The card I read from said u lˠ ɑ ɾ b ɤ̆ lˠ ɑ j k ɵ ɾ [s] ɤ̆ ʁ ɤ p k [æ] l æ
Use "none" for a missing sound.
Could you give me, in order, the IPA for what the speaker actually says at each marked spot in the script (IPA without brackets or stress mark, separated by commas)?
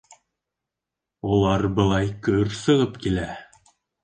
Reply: s, i